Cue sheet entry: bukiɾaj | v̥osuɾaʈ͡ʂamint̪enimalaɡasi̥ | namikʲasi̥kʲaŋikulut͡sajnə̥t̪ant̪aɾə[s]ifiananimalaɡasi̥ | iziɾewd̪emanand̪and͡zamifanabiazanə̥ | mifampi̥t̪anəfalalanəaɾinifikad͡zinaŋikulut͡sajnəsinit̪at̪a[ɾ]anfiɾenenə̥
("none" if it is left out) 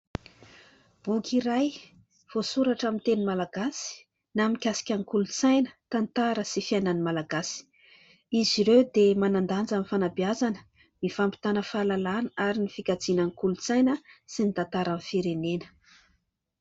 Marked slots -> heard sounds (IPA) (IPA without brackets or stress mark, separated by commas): s, ɾ